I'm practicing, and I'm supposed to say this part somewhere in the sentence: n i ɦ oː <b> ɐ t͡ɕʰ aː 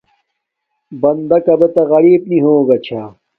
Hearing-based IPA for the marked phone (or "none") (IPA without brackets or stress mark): ɡ